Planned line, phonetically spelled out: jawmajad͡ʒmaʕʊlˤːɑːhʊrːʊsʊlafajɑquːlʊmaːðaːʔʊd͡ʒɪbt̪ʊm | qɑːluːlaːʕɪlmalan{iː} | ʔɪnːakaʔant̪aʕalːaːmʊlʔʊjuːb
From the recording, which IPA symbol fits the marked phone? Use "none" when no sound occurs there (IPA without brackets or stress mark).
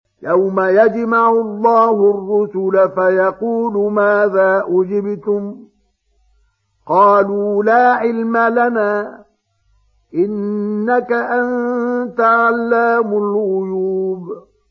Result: aː